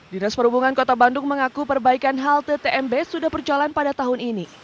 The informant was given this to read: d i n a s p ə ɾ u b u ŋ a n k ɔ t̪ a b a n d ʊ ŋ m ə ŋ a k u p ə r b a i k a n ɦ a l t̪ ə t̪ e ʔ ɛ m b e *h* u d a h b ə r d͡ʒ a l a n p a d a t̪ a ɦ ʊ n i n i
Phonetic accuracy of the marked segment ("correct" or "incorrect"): incorrect